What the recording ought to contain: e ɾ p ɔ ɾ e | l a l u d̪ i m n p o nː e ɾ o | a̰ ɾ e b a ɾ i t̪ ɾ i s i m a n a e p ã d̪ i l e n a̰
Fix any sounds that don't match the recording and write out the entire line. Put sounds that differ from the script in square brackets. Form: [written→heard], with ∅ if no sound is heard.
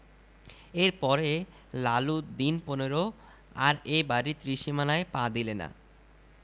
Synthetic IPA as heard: e ɾ p ɔ ɾ e | l a l u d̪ i [m→∅] n p o [nː→n] e ɾ o | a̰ ɾ e b a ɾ i t̪ ɾ i [s→ʃ] i m a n a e p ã d̪ i l e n a̰